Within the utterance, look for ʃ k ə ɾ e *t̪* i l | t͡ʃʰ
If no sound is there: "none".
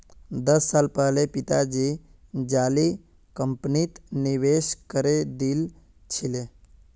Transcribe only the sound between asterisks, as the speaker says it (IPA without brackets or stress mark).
d̪